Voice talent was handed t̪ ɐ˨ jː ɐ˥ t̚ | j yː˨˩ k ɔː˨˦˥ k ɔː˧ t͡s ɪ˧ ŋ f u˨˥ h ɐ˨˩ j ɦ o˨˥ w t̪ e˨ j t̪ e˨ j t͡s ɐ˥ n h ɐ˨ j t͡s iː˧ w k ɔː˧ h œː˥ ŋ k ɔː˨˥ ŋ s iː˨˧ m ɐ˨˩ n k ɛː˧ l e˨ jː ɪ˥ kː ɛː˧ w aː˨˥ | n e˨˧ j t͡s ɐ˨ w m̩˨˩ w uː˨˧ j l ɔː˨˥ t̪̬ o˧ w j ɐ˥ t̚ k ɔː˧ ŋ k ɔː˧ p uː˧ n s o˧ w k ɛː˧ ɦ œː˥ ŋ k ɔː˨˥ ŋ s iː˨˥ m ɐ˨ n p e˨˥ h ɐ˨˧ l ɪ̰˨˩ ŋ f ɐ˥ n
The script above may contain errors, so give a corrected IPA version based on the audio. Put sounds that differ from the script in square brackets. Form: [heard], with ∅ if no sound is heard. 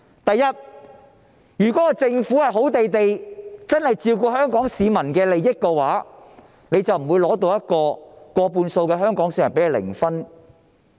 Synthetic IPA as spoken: t̪ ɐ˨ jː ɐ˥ t̚ | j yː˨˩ k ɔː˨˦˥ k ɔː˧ t͡s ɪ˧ ŋ f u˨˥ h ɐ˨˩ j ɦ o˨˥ w t̪ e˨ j t̪ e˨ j t͡s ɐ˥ n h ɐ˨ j t͡s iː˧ w k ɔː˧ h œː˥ ŋ k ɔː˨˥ ŋ s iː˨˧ m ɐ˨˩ n k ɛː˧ l e˨ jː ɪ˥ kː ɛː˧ w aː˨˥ | n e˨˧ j t͡s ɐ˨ w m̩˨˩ w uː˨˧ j l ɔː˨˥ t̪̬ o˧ w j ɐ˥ t̚ k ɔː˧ [∅] k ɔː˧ p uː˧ n s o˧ w k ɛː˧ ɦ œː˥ ŋ k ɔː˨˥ ŋ s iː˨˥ m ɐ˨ n p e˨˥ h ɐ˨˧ l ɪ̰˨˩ ŋ f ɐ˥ n